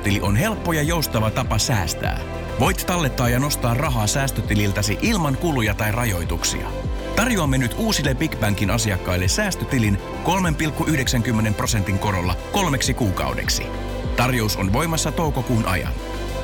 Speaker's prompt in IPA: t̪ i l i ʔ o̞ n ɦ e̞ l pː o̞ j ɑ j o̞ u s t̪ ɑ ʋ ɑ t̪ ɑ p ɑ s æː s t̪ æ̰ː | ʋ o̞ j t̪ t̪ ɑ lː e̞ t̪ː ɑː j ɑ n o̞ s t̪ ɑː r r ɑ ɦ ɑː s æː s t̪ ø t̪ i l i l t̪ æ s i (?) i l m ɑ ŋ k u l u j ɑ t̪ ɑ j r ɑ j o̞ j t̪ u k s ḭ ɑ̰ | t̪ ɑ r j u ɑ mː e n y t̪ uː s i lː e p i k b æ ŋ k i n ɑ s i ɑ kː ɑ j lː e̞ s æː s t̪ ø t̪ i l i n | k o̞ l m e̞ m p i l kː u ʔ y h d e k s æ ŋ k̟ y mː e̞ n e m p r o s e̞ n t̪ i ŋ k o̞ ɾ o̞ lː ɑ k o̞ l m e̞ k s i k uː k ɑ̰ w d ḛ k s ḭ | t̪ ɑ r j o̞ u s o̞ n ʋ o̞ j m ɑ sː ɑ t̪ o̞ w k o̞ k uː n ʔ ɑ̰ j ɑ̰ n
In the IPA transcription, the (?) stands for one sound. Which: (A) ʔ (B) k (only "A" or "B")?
A